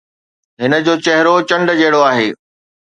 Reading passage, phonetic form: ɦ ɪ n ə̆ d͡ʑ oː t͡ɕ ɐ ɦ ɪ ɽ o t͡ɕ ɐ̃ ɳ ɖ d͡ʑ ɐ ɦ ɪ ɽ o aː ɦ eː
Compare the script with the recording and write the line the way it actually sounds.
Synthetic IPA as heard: ɦ ɪ n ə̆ d͡ʑ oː t͡ɕ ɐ ɦ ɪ ɾ o t͡ɕ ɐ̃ ɳ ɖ d͡ʑ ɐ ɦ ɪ ɽ o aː ɦ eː